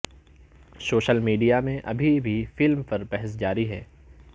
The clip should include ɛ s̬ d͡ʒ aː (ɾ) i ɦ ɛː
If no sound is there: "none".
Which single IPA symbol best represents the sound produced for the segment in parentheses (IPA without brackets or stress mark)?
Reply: ɾ